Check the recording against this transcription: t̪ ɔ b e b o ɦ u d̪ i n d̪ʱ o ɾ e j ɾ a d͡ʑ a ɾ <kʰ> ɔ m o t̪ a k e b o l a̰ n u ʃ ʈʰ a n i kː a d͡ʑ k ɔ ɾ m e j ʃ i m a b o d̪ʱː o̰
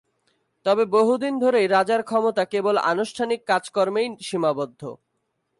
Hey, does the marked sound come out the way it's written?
yes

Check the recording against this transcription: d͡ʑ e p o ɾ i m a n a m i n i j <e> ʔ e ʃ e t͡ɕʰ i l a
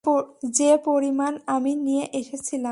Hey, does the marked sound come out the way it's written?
yes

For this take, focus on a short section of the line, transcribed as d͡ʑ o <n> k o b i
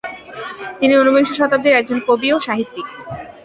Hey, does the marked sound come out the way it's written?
yes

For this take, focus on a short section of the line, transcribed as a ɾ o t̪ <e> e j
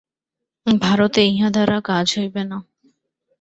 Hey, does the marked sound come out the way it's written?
yes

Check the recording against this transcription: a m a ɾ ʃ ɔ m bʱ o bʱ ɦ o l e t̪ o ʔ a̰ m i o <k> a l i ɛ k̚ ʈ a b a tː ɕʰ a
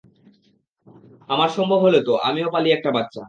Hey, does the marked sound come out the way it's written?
no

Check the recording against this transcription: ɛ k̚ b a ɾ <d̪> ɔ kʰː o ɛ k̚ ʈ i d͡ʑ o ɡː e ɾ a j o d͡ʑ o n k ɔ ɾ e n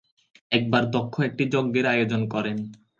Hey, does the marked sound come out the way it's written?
yes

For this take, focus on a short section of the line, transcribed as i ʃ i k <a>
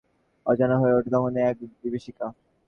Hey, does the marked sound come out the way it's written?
yes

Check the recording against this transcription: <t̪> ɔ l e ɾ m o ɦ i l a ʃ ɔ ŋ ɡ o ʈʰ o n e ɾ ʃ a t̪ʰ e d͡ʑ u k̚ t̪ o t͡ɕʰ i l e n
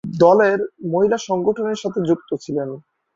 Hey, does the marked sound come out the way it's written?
no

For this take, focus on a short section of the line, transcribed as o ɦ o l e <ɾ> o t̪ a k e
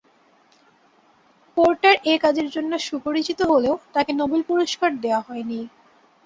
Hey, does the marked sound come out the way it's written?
no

